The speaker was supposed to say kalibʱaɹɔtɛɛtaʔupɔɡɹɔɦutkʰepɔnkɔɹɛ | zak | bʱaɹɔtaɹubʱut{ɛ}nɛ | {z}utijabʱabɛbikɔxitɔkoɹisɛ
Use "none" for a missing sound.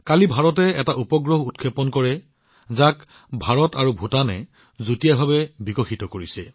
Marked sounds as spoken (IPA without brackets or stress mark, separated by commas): a, z